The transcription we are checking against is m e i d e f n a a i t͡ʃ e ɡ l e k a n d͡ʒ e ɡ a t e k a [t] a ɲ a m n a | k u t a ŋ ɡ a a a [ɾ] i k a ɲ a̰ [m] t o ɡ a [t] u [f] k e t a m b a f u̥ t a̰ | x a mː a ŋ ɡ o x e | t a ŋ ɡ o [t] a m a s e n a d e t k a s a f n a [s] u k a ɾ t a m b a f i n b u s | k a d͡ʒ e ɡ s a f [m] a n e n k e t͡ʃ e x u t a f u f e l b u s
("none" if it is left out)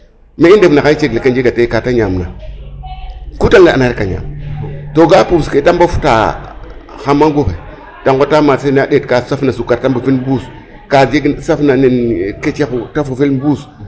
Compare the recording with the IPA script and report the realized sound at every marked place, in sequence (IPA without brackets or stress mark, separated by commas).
t, ɾ, m, p, s, t, s, n